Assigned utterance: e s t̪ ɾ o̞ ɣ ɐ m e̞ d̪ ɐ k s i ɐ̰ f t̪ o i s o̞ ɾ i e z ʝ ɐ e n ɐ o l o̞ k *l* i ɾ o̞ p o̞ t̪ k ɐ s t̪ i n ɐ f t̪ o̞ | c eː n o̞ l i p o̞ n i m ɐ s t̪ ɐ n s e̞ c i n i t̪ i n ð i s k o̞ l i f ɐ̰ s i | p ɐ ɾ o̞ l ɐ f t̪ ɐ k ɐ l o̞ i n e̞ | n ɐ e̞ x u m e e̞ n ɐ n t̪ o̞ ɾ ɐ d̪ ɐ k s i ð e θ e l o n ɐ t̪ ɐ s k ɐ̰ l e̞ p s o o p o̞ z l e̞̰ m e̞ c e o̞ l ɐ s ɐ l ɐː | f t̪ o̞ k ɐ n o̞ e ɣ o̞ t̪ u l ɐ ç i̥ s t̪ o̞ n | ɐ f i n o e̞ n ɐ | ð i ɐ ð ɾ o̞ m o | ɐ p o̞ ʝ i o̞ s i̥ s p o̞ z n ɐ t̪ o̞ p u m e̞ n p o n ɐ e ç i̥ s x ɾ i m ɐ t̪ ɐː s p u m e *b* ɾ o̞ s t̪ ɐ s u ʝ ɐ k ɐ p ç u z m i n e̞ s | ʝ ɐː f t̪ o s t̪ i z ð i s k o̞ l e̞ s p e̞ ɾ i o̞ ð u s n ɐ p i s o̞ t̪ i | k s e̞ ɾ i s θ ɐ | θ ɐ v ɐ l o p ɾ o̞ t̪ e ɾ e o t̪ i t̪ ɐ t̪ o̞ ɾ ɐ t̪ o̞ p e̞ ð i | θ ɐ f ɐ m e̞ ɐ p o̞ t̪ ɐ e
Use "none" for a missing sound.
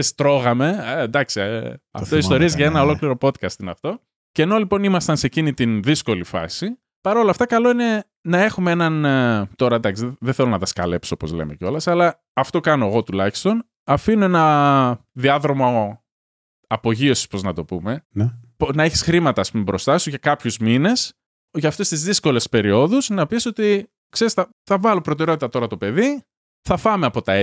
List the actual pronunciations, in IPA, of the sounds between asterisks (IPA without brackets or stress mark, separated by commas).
l, b